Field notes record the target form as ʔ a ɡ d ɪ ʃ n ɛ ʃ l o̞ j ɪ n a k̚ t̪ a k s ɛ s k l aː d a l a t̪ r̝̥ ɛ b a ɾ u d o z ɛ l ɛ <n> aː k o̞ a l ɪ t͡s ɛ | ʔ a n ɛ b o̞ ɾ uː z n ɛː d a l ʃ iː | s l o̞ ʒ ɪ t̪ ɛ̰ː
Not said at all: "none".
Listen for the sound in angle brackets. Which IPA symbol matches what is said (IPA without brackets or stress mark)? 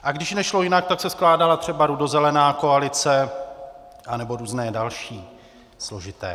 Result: n